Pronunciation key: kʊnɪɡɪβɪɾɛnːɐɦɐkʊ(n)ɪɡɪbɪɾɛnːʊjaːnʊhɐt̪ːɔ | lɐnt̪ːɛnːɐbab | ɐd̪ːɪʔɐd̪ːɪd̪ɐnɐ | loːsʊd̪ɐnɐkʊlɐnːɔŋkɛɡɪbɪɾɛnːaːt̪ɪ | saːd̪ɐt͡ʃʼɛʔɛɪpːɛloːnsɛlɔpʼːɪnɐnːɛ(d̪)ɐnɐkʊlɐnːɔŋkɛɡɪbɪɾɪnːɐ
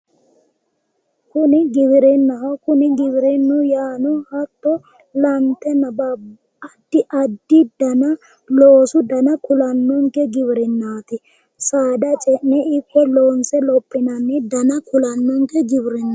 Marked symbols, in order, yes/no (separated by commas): yes, yes